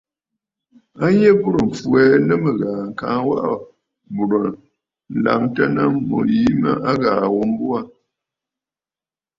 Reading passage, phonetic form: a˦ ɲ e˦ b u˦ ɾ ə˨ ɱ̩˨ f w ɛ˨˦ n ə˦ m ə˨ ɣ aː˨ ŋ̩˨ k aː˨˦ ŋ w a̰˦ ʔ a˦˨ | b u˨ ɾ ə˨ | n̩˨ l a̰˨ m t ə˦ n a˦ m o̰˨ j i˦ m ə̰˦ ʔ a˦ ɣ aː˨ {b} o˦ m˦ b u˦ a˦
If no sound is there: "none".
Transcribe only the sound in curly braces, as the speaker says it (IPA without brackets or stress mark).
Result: w